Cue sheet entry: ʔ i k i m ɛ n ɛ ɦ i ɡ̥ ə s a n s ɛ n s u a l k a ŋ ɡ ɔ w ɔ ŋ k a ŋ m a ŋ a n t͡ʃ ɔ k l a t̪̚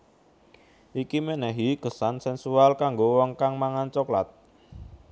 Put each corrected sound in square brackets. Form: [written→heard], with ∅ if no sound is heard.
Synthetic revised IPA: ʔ i k i m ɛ n ɛ ɦ i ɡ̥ ə s a n s ɛ n s u a l k a ŋ ɡ [ɔ→o] w ɔ ŋ k a ŋ m a ŋ a n t͡ʃ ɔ k l a t̪̚